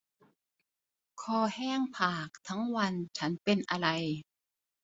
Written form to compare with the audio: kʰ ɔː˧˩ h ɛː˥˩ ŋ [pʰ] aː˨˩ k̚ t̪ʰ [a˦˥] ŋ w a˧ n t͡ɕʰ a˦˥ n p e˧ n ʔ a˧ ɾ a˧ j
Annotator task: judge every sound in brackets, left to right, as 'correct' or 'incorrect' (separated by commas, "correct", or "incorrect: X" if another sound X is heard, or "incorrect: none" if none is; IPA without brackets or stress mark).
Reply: correct, correct